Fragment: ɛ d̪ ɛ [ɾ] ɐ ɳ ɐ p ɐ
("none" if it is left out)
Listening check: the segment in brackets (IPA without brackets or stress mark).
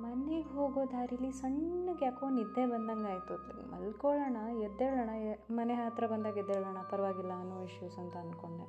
ɭ